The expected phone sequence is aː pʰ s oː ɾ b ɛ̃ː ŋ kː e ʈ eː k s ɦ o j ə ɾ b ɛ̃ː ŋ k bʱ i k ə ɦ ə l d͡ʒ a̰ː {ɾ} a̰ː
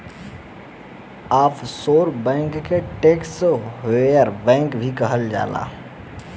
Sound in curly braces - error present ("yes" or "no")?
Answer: yes